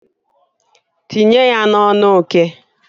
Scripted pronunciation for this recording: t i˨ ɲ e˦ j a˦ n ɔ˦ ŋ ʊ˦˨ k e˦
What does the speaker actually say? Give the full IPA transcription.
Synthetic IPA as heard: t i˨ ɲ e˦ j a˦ n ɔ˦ n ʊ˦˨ k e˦